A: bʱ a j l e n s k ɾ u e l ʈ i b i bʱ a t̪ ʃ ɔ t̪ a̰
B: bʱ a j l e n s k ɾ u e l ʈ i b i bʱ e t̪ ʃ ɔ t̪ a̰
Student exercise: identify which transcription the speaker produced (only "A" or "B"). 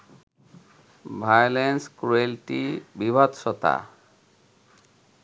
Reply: A